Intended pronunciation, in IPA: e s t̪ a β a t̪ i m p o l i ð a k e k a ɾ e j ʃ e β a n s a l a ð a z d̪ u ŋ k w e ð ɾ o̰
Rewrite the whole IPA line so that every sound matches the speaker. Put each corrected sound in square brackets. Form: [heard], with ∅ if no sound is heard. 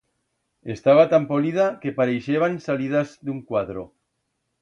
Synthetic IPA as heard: e s t̪ a β a t̪ [a] m p o l i ð a k e [p] a ɾ e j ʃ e β a n s a l [i] ð a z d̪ u ŋ k w [a] ð ɾ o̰